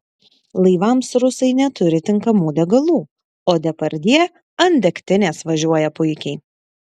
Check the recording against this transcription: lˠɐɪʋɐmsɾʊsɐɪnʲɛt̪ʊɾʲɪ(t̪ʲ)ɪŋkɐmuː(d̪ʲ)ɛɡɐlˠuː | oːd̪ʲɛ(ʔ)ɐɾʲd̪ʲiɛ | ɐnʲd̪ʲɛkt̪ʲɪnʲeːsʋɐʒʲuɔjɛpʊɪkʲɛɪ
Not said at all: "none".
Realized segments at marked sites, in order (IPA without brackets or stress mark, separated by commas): t̪ʲ, d̪ʲ, p